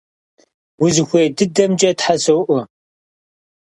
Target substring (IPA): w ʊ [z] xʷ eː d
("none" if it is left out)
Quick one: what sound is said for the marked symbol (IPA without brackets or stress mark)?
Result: z